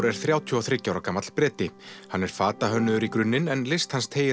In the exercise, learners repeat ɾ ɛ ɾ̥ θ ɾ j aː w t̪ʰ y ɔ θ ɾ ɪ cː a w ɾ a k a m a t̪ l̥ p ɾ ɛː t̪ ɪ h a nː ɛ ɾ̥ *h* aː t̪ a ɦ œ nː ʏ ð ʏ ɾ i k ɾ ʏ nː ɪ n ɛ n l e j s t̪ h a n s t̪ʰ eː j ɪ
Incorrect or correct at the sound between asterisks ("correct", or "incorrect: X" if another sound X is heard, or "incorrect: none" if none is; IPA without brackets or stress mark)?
incorrect: f